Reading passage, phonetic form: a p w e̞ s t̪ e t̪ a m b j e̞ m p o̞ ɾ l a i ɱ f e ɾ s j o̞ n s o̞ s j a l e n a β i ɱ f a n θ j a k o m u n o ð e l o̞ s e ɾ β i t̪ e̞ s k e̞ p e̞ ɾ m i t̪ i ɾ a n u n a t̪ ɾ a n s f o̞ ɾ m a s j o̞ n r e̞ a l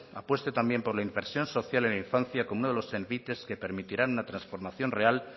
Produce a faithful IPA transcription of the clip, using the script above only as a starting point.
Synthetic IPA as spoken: a p w e̞ s t̪ e t̪ a m b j e̞ m p o̞ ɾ l a i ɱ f e ɾ s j o̞ n s o̞ θ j a l e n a i ɱ f a n θ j a k o m u n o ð e l o̞ s e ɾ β i t̪ e̞ s k e̞ p e̞ ɾ m i t̪ i ɾ a n u n a t̪ ɾ a n s f o̞ ɾ m a θ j o̞ n r e̞ a l

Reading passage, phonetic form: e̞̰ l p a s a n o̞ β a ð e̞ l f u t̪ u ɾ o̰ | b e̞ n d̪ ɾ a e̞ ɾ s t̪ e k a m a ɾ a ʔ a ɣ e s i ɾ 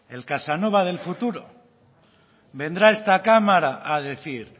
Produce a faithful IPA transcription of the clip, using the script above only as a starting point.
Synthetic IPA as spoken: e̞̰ l k a s a n o̞ β a ð e̞ l f u t̪ u ɾ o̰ | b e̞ n d̪ ɾ a e̞ s t̪ a k a m a ɾ a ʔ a ð e θ i ɾ

